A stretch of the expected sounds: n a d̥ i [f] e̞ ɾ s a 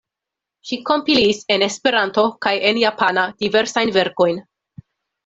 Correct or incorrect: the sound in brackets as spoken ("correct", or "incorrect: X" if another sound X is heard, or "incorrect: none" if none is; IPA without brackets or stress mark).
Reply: incorrect: v